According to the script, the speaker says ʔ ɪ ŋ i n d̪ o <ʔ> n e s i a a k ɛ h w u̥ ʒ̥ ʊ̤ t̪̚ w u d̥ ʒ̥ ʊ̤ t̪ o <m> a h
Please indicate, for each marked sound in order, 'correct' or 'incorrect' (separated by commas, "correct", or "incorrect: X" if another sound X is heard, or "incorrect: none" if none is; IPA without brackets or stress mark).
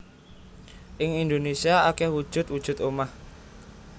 incorrect: none, correct